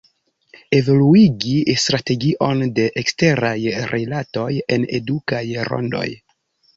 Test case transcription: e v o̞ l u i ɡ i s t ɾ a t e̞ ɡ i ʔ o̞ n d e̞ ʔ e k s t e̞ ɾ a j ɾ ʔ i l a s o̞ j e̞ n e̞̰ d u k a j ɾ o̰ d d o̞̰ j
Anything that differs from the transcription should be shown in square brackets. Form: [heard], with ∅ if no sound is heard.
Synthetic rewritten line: e v o̞ l u i ɡ i s t ɾ a t e̞ ɡ i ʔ o̞ n d e̞ ʔ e k s t e̞ ɾ a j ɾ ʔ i l a [t] o̞ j e̞ n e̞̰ d u k a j ɾ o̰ [n] d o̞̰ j